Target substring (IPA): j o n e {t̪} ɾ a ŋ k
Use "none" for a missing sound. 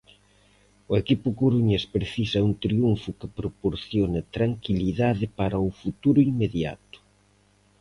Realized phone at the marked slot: t̪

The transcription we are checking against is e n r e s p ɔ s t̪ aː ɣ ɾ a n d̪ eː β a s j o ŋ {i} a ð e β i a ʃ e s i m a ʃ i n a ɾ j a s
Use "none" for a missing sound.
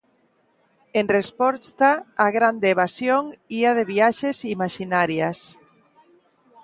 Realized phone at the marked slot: i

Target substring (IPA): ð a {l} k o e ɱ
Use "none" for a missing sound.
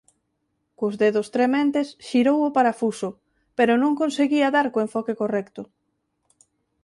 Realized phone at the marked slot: ɾ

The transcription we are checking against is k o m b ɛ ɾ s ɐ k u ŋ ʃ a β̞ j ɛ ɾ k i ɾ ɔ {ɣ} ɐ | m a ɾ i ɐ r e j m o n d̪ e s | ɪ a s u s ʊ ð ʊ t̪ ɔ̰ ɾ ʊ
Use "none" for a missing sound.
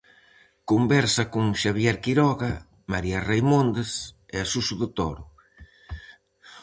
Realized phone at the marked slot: ɣ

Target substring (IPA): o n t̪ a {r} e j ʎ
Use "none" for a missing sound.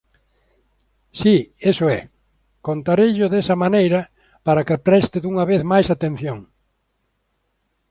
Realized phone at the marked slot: ɾ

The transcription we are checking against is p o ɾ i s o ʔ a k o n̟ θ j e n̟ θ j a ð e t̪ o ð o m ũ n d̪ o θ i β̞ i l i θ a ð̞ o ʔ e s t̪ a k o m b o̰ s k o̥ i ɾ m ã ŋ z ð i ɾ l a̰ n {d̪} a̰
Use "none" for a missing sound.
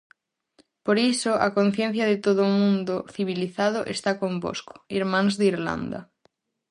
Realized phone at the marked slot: d̪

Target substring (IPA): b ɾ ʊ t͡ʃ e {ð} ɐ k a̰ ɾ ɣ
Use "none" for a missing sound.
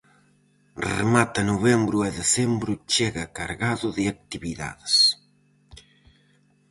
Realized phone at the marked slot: ɣ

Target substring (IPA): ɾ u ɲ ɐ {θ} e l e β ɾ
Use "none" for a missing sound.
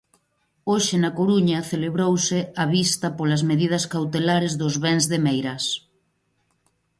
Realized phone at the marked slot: θ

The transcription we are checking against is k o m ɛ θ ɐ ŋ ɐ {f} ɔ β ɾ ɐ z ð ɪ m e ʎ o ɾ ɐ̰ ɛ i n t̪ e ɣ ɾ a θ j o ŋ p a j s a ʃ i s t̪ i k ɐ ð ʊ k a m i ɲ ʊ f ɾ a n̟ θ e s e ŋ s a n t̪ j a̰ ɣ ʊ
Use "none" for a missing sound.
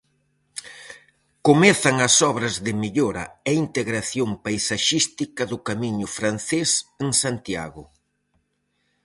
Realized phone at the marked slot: s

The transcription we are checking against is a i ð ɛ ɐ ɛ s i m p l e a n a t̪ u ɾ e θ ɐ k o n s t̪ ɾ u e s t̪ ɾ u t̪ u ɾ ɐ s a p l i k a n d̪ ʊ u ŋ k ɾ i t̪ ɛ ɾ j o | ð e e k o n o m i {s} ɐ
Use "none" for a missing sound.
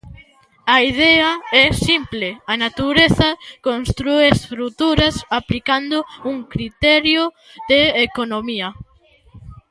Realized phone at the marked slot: none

